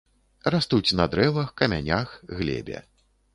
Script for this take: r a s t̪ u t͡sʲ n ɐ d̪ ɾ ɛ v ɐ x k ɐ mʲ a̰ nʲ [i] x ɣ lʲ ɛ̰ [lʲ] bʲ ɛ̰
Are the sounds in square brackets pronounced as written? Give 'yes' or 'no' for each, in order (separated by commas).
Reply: no, no